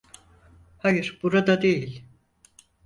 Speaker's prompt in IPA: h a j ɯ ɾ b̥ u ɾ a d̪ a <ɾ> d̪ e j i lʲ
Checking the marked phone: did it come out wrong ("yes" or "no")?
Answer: yes